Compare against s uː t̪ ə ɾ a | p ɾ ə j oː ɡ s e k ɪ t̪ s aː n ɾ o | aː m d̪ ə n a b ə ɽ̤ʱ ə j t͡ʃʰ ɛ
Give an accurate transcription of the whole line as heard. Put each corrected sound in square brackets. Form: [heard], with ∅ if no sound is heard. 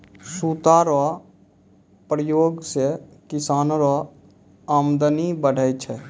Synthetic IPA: s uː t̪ [a] ɾ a | p ɾ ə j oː ɡ s e k ɪ [∅] s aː n ɾ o | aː m d̪ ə n [i] b ə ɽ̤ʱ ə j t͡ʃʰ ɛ